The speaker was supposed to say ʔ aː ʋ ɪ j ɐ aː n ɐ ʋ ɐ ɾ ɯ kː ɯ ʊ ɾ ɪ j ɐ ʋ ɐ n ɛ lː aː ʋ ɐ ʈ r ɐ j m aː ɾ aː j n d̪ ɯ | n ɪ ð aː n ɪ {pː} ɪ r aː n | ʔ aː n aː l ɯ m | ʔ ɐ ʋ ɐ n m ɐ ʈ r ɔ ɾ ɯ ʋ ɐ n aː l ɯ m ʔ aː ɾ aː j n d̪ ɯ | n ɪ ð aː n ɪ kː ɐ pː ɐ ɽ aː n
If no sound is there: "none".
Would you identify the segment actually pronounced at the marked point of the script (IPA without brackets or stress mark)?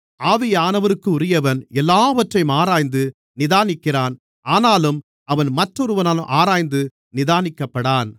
kː